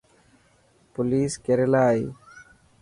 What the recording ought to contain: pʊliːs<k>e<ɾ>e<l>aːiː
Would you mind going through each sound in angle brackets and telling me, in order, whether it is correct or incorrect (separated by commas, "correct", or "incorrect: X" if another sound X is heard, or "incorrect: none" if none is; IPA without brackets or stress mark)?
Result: correct, correct, correct